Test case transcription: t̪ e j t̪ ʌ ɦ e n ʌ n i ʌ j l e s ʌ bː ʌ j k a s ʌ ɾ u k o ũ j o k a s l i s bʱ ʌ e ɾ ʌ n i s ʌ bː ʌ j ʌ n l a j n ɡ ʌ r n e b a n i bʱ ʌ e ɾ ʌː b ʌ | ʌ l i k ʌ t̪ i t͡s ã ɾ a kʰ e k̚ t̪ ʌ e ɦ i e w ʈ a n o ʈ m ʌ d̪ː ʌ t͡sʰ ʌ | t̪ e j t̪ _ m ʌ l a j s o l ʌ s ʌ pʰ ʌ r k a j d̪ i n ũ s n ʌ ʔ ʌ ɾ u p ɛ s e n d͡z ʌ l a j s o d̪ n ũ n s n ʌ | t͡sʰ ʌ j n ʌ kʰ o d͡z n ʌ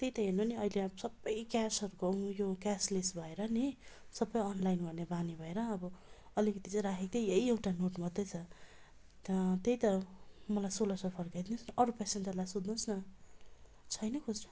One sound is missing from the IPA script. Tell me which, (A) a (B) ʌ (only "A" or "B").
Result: B